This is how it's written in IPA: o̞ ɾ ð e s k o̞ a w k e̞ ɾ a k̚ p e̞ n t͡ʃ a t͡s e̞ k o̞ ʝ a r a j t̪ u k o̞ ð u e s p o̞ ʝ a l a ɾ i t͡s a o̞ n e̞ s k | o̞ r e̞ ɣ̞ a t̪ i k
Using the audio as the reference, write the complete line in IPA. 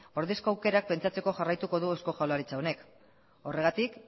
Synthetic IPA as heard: o̞ ɾ ð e s k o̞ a w k e̞ ɾ a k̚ p e̞ n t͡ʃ a t͡s e̞ k o̞ ʝ a r a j t̪ u k o̞ ð u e s k o̞ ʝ a l a ɾ i t͡s a o̞ n e̞ k | o̞ r e̞ ɣ̞ a t̪ i k

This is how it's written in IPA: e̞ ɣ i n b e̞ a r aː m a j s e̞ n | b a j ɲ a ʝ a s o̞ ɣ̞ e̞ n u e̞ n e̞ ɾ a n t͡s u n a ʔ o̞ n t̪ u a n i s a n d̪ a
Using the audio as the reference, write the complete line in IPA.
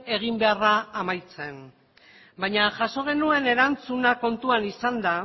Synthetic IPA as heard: e̞ ɣ i m b e̞ a r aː m a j t͡s e̞ n | b a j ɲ a ʝ a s o̞ ɣ̞ e̞ n u e̞ n e̞ ɾ a n t͡s u n a k o̞ n t̪ u a n i s a n d̪ a

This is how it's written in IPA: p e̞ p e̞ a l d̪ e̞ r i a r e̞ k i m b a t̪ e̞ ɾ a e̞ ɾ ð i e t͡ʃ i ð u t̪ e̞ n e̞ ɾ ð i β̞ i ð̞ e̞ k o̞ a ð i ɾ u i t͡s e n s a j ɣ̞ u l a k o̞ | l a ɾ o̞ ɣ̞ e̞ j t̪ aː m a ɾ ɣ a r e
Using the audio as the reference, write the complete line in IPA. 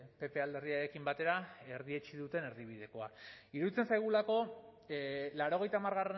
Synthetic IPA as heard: p e̞ p e̞ a l d̪ e̞ r i a ɾ e̞ k i m b a t̪ e̞ ɾ a e̞ ɾ ð i e t͡ʃ i ð u t̪ e̞ n e̞ ɾ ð i β̞ i ð̞ e̞ k o̞ a i ɾ u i t͡s e n s a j ɣ̞ u l a k o̞ | l a ɾ o̞ ɣ̞ e̞ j t̪ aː m a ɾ ɣ a r e

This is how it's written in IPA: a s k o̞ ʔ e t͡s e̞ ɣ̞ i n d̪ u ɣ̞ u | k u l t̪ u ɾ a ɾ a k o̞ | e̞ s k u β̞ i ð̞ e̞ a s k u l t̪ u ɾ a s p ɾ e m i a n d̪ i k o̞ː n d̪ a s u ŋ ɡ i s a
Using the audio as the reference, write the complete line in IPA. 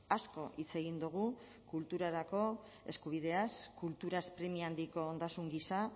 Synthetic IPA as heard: a s k o̞ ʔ i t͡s e̞ ɣ̞ i n d̪ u ɣ̞ u | k u l t̪ u ɾ a ɾ a k o̞ | e̞ s k u β̞ i ð̞ e̞ a s k u l t̪ u ɾ a s p ɾ e m i a n d̪ i k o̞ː n d̪ a s u ŋ ɡ i s a

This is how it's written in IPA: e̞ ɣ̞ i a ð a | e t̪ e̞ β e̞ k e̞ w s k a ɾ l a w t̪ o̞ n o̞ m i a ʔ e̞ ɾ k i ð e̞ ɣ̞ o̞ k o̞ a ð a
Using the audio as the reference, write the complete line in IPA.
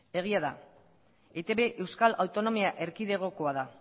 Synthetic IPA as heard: e̞ ɣ̞ i a ð a | e t̪ e̞ β e̞ ʔ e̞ w s k a l a w t̪ o̞ n o̞ m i a ʔ e̞ ɾ k i ð e̞ ɣ̞ o̞ k o̞ a ð a

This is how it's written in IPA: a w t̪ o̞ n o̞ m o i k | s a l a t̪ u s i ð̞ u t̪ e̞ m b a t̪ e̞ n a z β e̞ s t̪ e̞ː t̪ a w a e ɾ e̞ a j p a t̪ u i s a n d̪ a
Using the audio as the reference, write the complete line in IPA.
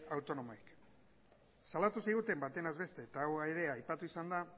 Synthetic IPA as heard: a w t̪ o̞ n o̞ m o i k | s a l a t̪ u s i ɣ̞ u t̪ e̞ m b a t̪ e̞ n a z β e̞ s t̪ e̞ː t̪ a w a e ɾ e̞ a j p a t̪ u i s a n d̪ a

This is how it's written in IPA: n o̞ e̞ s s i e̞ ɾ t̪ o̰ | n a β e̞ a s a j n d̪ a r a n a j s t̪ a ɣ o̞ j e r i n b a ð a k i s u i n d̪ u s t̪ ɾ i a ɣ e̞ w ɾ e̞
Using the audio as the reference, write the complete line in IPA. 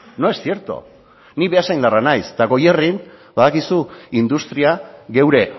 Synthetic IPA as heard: n o̞ e̞ s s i e̞ ɾ t̪ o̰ | n i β e̞ a s a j n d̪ a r a n a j s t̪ a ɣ o̞ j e r i n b a ð a k i s u i n d̪ u s t̪ ɾ i a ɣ e̞ w ɾ e̞

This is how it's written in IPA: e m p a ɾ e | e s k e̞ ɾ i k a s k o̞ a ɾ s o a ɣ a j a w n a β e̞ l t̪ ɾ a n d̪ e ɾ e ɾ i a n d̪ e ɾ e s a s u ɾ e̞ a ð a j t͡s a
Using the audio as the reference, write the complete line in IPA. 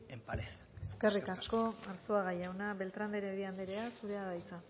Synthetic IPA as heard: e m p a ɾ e | e s k e̞ r i k a s k o̞ a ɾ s o a ɣ a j a w n a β e̞ l t̪ ɾ a n d̪ e ɾ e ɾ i a n d̪ e ɾ e a s u ɾ e̞ a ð a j t͡s a

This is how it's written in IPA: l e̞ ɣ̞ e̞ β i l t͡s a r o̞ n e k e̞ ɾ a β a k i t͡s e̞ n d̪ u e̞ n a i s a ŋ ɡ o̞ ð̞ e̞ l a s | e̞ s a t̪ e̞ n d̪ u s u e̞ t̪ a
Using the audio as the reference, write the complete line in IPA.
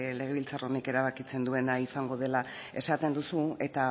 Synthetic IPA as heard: l e̞ ɣ̞ e̞ β i l t͡s a r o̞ n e k e̞ ɾ a β a k i t͡s e̞ n d̪ u e̞ n a i s a ŋ ɡ o̞ ð̞ e̞ l a | e̞ s a t̪ e̞ n d̪ u s u e̞ t̪ a

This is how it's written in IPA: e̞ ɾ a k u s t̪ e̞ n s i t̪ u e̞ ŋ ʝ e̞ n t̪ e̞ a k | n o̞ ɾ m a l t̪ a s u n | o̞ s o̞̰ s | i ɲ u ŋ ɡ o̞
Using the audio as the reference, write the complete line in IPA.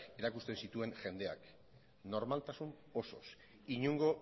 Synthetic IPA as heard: e̞ ɾ a k u s t̪ e̞ n s i t̪ u e̞ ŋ ʝ e̞ n d̪ e̞ a k | n o̞ ɾ m a l t̪ a s u n | o̞ s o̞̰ s | i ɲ u ŋ ɡ o̞

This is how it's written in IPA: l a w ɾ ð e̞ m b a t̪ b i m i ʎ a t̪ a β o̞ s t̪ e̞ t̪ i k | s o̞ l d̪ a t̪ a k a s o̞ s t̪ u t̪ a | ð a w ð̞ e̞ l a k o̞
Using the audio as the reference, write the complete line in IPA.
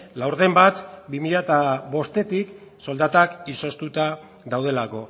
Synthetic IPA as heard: l a w ɾ ð e̞ m b a t̪ b i m i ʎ a t̪ a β o̞ s t̪ e̞ t̪ i k | s o̞ l d̪ a t̪ a k i s o̞ s t̪ u t̪ a | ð a w ð̞ e̞ l a k o̞

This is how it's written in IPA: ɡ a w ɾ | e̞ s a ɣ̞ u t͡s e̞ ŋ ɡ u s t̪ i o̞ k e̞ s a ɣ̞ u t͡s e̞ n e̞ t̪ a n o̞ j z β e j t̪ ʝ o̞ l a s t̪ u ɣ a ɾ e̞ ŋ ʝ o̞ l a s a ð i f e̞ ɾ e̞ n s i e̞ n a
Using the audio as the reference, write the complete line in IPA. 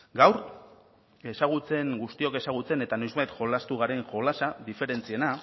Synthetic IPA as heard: ɡ a w ɾ | e̞ s a ɣ̞ u t͡s e̞ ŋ ɡ u s t̪ i o̞ k e̞ s a ɣ̞ u t͡s e̞ n e̞ t̪ a n o̞ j z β a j t̪ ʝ o̞ l a s t̪ u ɣ a ɾ e̞ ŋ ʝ o̞ l a s a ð i f e̞ ɾ e̞ n t͡s i e̞ n a

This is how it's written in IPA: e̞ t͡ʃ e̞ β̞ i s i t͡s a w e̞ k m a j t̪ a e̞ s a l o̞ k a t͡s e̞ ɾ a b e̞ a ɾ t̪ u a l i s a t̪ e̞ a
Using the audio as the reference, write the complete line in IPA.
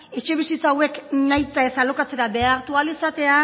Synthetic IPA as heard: e̞ t͡ʃ e̞ β̞ i s i t͡s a w e̞ k n a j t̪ a e̞ s a l o̞ k a t͡s e̞ ɾ a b e̞ a ɾ t̪ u a l i s a t̪ e̞ a

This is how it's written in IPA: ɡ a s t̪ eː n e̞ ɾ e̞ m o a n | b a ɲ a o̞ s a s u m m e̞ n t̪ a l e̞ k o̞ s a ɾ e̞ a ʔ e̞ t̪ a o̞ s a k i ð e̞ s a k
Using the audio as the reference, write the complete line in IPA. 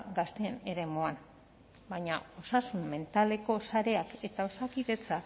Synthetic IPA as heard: ɡ a s t̪ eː n e̞ ɾ e̞ m o a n | b a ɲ a o̞ s a s u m m e̞ n t̪ a l e̞ k o̞ s a ɾ e̞ a k e̞ t̪ a o̞ s a k i ð e̞ t͡s a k

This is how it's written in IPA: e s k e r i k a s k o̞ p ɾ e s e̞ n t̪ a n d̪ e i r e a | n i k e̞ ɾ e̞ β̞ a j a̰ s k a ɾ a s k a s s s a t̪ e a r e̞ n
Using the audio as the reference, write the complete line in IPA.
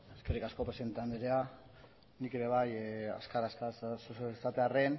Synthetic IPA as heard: e s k e r i k a s k o̞ p ɾ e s e̞ n t̪ a n d̪ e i ɾ e a | n i k e̞ ɾ e̞ β̞ a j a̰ s k a ɾ a s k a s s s a t̪ e a r e̞ n

